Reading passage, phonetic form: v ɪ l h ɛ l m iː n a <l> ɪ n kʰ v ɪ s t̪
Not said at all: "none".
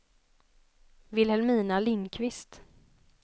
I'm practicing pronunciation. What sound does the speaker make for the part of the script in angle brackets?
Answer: l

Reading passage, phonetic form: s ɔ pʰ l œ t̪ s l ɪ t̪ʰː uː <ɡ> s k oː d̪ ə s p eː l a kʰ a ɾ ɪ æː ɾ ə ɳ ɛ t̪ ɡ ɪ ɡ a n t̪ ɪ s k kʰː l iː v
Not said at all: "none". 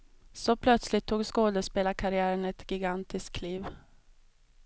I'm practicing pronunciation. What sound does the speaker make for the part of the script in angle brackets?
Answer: ɡ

